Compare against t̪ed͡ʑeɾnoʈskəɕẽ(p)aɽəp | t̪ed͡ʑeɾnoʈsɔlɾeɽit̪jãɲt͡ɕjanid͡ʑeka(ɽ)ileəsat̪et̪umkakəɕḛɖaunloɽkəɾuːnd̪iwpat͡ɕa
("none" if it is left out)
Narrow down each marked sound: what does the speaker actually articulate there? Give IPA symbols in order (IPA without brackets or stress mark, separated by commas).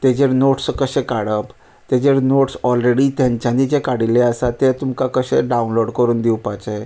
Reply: k, ɽ